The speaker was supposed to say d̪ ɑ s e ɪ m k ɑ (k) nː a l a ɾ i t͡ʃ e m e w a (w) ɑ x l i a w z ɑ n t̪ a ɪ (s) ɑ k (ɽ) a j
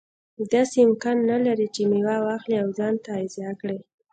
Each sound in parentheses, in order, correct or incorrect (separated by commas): incorrect, correct, incorrect, correct